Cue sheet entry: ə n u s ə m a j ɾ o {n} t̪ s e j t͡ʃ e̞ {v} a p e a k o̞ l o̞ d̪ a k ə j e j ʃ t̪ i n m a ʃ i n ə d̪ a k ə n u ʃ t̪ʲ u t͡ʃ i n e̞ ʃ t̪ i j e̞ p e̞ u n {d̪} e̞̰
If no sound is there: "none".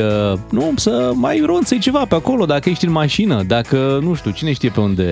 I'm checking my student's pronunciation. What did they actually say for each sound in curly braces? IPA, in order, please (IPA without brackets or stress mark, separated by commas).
n, v, d̪